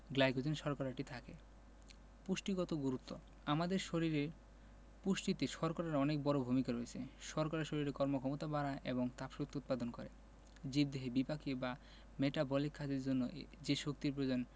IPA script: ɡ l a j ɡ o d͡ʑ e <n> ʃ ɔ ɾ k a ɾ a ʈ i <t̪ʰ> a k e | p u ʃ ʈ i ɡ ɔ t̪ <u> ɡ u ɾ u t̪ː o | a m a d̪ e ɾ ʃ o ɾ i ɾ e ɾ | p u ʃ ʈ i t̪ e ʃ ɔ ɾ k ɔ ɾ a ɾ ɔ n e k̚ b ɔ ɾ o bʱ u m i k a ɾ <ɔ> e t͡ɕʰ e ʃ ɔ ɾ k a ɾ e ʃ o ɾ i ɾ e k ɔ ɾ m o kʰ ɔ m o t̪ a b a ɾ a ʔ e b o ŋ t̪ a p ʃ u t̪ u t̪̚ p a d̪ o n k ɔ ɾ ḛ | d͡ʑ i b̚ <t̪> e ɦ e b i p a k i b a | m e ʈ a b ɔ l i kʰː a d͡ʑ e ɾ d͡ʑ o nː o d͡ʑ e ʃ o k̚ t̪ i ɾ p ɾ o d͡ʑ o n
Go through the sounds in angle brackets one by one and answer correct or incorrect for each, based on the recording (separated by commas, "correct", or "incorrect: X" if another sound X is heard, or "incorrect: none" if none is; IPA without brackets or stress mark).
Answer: correct, correct, incorrect: o, incorrect: o, incorrect: d̪